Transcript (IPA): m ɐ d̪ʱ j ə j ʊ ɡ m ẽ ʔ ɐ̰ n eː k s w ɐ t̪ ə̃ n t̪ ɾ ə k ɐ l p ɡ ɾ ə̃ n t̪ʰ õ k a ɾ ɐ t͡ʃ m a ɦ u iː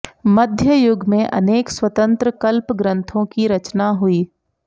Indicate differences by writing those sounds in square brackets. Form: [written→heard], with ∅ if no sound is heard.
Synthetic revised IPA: m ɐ d̪ʱ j ə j ʊ ɡ m ẽ ʔ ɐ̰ n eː k s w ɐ t̪ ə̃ n t̪ ɾ ə k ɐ l p ɡ ɾ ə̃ n t̪ʰ õ k [a→i] ɾ ɐ t͡ʃ [m→n] a ɦ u iː

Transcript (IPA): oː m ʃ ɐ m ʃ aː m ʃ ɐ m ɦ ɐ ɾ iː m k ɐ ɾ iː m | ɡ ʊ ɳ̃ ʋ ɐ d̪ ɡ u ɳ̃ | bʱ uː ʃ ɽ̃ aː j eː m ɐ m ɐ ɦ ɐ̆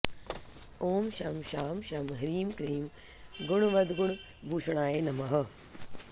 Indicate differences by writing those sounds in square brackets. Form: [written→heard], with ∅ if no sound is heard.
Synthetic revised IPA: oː m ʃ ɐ m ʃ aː m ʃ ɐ m ɦ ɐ ɾ iː m k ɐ ɾ iː m | ɡ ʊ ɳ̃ ʋ ɐ d̪ ɡ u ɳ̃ | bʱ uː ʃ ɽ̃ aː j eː [m→n] ɐ m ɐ ɦ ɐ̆

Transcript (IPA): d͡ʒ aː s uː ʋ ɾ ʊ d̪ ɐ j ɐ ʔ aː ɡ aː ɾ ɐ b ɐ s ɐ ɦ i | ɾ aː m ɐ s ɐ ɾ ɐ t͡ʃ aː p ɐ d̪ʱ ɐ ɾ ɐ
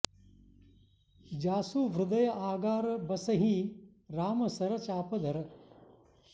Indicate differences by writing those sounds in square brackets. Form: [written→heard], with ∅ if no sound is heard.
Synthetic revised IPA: d͡ʒ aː s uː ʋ ɾ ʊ d̪ ɐ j ɐ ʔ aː ɡ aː ɾ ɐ b ɐ s ɐ ɦ i | ɾ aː m ɐ s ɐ ɾ ɐ t͡ʃ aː p ɐ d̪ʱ ɐ ɾ ɐ

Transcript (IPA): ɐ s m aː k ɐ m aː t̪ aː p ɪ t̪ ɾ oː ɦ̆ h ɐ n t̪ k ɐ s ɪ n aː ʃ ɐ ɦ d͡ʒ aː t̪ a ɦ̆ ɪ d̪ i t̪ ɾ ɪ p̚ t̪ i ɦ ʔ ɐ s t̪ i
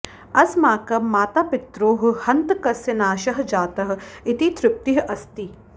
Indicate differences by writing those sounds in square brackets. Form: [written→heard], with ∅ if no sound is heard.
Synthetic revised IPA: ɐ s m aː k ɐ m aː t̪ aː p ɪ t̪ ɾ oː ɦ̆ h ɐ n t̪ k ɐ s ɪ n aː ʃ ɐ ɦ d͡ʒ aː t̪ [a→ɐ] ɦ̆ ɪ [d̪→t̪] i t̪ ɾ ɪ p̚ t̪ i ɦ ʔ ɐ s t̪ i

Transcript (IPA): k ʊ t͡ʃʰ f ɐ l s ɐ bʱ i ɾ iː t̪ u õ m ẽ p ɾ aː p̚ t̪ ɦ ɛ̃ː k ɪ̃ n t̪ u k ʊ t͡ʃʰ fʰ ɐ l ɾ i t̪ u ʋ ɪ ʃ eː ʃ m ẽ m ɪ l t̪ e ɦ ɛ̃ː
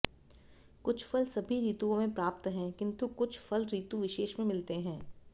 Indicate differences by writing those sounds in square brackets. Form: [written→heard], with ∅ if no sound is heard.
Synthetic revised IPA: k ʊ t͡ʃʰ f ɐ l s ɐ bʱ i ɾ iː t̪ u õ m ẽ p ɾ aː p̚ t̪ ɦ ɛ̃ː k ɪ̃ n t̪ u k ʊ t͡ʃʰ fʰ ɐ l ɾ [i→iː] t̪ u ʋ ɪ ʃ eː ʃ m ẽ m ɪ l t̪ e ɦ ɛ̃ː

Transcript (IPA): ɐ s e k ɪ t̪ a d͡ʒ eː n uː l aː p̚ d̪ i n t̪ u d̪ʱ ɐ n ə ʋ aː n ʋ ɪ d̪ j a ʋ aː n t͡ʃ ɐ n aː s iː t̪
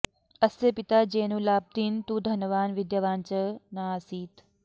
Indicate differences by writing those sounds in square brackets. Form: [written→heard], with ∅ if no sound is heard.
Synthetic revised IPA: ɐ s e [k→p] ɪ t̪ a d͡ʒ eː n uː l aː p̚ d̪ i n t̪ u d̪ʱ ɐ n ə ʋ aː n ʋ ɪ d̪ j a ʋ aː n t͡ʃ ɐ n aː s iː t̪

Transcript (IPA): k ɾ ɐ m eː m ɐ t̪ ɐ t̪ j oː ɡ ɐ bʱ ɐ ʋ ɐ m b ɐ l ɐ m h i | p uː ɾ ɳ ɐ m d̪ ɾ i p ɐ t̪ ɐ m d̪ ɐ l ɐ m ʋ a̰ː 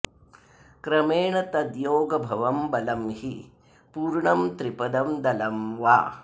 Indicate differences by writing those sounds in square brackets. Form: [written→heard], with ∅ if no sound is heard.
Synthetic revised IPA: k ɾ ɐ m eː [m→ɳ] ɐ t̪ ɐ [t̪→d̪] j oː ɡ ɐ bʱ ɐ ʋ ɐ m b ɐ l ɐ m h i | p uː ɾ ɳ ɐ m [d̪→t̪] ɾ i p ɐ [t̪→d̪] ɐ m d̪ ɐ l ɐ m ʋ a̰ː

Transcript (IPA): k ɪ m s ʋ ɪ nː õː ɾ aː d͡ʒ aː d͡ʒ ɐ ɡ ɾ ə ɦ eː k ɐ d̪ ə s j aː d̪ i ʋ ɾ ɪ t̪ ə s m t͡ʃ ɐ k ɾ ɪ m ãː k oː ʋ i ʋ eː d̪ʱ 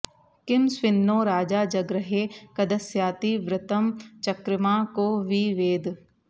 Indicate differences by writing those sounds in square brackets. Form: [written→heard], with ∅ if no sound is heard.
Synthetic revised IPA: k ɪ m s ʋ ɪ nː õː ɾ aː d͡ʒ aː d͡ʒ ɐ ɡ ɾ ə ɦ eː k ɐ d̪ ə s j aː [d̪→t̪] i ʋ ɾ ɪ t̪ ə [s→∅] m t͡ʃ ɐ k ɾ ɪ m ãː k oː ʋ i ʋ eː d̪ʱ

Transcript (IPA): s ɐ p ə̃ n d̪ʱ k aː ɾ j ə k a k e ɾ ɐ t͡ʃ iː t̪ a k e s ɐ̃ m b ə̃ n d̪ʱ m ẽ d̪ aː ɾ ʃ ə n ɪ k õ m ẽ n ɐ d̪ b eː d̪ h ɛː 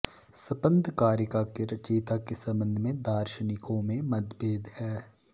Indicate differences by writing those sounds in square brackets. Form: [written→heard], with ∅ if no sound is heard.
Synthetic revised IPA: s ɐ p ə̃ n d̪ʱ k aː ɾ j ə k a k e ɾ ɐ t͡ʃ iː t̪ a k e s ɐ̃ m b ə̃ n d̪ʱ m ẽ d̪ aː ɾ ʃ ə n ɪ k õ m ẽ [n→m] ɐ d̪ b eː d̪ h ɛː

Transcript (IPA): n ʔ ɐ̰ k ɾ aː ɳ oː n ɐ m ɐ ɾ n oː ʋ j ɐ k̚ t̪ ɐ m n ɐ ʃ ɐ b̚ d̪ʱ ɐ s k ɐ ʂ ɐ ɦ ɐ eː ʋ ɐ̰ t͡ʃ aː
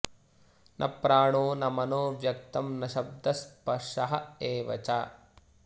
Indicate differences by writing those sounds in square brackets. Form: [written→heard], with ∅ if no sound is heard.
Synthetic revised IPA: n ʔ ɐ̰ [k→p] ɾ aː ɳ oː n ɐ m ɐ [ɾ→∅] n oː ʋ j ɐ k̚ t̪ ɐ m n ɐ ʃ ɐ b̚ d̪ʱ ɐ s [k→p] ɐ ʂ ɐ ɦ ɐ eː ʋ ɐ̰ t͡ʃ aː

